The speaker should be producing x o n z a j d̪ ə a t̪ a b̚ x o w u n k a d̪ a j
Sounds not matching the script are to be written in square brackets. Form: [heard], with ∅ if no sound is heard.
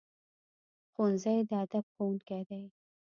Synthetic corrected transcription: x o n z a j d̪ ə a [d̪] a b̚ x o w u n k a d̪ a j